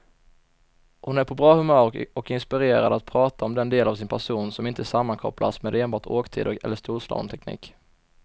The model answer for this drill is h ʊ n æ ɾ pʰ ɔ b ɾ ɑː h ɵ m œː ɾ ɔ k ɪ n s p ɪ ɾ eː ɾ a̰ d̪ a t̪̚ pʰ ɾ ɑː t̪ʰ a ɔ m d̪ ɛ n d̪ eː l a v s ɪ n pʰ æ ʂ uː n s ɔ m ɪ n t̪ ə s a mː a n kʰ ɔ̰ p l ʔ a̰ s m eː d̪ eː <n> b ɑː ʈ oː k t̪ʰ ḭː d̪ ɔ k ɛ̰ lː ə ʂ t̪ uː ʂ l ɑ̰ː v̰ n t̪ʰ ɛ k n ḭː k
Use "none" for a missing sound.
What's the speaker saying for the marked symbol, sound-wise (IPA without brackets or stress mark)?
n